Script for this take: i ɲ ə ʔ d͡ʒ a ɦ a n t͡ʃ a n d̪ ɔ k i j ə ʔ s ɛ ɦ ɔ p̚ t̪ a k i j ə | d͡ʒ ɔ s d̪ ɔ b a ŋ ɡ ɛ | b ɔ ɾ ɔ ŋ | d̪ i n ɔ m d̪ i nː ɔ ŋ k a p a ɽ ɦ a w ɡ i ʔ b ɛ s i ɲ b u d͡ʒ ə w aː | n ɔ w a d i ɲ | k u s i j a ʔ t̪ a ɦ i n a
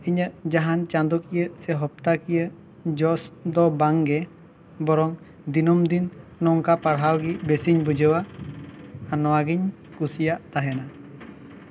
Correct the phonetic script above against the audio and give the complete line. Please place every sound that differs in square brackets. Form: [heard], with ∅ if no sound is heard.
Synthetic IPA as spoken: i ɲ ə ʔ d͡ʒ a ɦ a n t͡ʃ a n d̪ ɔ k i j ə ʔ s ɛ ɦ ɔ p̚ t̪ a k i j ə | d͡ʒ ɔ s d̪ ɔ b a ŋ ɡ ɛ | b ɔ ɾ ɔ ŋ | d̪ i n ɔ m d̪ i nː ɔ ŋ k a p a ɽ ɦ a w ɡ i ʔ b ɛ s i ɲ b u d͡ʒ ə w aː | n ɔ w a [ɡ] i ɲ | k u s i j a ʔ t̪ a ɦ [ɛ] n a